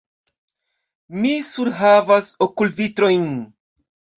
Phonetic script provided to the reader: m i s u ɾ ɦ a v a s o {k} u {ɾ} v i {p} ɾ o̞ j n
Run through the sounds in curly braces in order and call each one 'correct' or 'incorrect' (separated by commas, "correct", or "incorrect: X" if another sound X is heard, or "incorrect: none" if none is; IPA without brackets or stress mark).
correct, incorrect: l, incorrect: t